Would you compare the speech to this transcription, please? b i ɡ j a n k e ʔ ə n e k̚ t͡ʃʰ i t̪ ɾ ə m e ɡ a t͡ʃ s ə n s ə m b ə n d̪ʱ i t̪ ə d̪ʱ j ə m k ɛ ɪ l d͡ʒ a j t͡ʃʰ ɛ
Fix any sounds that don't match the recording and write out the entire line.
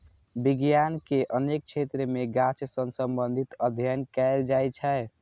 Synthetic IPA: b i ɡ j a n k e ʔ ə n e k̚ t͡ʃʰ e t̪ ɾ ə m e ɡ a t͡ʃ s ə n s ə m b ə n d̪ʱ i t̪ ə d̪ʱ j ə n k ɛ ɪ l d͡ʒ a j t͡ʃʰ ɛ

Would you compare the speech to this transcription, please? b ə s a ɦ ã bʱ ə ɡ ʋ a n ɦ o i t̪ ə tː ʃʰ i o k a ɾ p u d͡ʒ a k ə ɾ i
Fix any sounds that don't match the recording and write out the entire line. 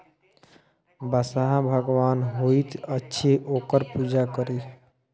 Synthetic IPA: b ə s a ɦ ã bʱ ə ɡ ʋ a n ɦ o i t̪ ə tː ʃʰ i o k ə ɾ p u d͡ʒ a k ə ɾ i

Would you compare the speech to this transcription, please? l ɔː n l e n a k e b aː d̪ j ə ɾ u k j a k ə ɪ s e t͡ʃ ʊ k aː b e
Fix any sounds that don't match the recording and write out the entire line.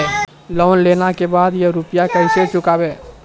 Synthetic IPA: l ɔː n l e n a k e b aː d̪ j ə ɾ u p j a k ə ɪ s e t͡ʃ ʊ k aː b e

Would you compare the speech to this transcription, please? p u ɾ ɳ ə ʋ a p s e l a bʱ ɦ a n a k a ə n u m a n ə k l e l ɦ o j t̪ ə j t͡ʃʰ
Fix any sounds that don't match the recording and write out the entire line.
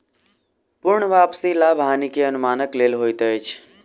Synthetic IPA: p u ɾ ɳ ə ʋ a p s i l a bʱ ɦ a n i k e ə n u m a n ə k l e l ɦ o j t̪ ə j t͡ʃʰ

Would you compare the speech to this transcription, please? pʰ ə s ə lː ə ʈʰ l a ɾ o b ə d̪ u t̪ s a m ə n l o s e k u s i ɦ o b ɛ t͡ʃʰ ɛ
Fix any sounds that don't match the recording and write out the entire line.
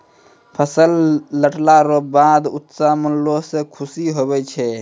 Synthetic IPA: pʰ ə s ə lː ə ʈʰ l a ɾ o b a d̪ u t̪ s a m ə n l o s e kʰ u s i ɦ o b ɛ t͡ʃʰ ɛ

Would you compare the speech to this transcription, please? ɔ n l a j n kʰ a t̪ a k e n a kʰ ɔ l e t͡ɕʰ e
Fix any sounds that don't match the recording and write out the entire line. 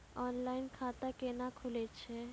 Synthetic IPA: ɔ n l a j n kʰ a t̪ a k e n a kʰ u l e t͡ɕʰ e

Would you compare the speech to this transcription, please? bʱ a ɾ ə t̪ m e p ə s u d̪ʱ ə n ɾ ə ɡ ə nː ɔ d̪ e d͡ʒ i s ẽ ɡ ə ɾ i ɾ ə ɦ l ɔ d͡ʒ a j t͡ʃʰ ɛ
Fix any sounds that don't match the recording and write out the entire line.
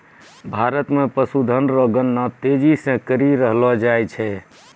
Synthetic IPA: bʱ a ɾ ə t̪ m e p ə s u d̪ʱ ə n ɾ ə ɡ ə nː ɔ t̪ e d͡ʒ i s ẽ k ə ɾ i ɾ ə ɦ l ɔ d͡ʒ a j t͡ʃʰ ɛ

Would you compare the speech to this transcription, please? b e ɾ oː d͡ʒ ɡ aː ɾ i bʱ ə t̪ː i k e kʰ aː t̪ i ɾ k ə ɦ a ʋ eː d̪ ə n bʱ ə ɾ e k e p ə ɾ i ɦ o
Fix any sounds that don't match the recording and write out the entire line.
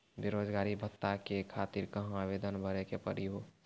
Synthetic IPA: b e ɾ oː d͡ʒ ɡ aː ɾ i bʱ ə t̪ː a k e kʰ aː t̪ i ɾ k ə ɦ a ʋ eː d̪ ə n bʱ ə ɾ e k e p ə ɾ i ɦ o

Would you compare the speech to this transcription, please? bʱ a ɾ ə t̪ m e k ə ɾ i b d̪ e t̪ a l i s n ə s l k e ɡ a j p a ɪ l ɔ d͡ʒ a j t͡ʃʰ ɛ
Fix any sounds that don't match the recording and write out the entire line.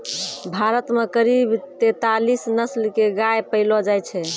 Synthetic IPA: bʱ a ɾ ə t̪ m e k ə ɾ i b t̪ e t̪ a l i s n ə s l k e ɡ a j p ə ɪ l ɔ d͡ʒ a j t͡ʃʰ ɛ

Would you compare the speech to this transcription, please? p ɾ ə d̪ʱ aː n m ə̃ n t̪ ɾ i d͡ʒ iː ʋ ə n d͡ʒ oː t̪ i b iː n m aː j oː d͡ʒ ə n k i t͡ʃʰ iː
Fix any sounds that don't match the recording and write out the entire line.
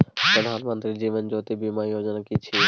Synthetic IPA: p ɾ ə d̪ʱ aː n m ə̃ n t̪ ɾ i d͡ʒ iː ʋ ə n d͡ʒ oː t̪ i b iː m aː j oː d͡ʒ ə n k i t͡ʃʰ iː

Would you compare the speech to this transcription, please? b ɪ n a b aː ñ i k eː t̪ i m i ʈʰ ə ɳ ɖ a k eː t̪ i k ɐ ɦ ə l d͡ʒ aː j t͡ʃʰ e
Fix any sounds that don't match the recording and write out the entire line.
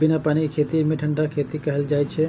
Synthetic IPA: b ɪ n a p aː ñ i kʰ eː t̪ i m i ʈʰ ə ɳ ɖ a kʰ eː t̪ i k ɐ ɦ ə l d͡ʒ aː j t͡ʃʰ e

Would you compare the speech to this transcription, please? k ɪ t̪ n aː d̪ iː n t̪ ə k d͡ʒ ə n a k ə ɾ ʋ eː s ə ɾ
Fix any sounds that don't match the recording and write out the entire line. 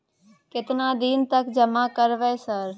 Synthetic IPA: k ɪ t̪ n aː d̪ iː n t̪ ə k d͡ʒ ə m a k ə ɾ ʋ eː s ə ɾ

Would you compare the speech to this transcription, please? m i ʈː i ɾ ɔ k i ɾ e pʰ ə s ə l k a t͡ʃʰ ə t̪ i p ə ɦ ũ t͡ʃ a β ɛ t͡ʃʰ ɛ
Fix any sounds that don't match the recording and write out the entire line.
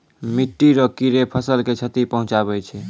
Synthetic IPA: m i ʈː i ɾ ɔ k i ɾ e pʰ ə s ə l k e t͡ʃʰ ə t̪ i p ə ɦ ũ t͡ʃ a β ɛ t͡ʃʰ ɛ

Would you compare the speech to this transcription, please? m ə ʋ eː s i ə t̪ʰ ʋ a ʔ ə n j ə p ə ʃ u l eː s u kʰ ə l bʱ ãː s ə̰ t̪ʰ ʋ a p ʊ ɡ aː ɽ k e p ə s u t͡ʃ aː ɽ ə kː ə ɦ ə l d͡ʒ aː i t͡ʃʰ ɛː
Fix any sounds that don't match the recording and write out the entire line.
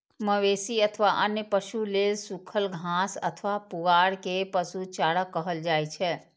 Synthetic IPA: m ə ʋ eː s i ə t̪ʰ ʋ a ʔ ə n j ə p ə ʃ u l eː s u kʰ ə l ɡʱ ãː s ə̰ t̪ʰ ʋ a p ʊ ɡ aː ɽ k e p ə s u t͡ʃ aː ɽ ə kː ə ɦ ə l d͡ʒ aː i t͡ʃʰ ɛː

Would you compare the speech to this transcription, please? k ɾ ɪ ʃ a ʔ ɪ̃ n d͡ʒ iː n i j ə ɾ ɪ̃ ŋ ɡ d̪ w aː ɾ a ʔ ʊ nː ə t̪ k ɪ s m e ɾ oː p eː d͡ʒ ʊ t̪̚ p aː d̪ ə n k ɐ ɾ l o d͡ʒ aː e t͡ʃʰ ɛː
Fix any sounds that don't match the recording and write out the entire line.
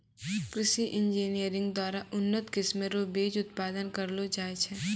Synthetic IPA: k ɾ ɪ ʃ i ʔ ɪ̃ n d͡ʒ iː n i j ə ɾ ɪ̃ ŋ ɡ d̪ w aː ɾ a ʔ ʊ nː ə t̪ k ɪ s m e ɾ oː b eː d͡ʒ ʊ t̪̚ p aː d̪ ə n k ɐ ɾ l o d͡ʒ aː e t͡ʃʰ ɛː

